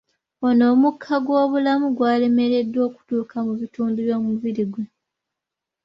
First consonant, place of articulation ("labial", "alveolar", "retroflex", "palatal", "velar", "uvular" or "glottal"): alveolar